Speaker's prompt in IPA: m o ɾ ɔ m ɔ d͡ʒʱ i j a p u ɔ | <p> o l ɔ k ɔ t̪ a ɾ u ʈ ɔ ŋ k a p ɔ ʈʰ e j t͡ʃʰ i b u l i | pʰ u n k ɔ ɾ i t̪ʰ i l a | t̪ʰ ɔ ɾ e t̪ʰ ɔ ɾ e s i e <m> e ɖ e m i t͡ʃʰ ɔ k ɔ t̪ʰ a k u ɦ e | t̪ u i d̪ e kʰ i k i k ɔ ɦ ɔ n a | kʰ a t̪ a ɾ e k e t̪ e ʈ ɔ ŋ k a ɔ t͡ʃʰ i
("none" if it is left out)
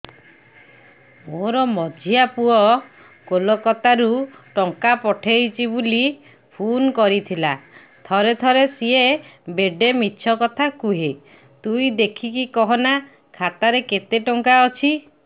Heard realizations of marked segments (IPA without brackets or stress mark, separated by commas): k, b